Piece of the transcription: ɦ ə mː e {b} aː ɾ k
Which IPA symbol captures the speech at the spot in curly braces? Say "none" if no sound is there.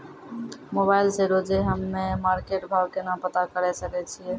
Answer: m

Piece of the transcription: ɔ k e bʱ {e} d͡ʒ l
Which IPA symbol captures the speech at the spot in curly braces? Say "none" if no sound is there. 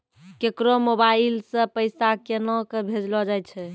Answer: e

